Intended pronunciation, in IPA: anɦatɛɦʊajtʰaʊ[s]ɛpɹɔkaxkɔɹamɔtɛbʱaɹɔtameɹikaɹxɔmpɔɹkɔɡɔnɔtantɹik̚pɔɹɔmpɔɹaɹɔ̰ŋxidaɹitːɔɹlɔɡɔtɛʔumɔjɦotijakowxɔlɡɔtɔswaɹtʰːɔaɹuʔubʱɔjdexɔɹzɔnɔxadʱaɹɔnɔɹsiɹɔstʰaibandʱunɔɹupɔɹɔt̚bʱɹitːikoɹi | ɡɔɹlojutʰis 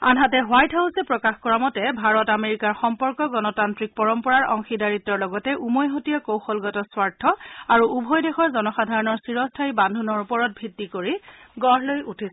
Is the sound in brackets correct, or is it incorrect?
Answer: correct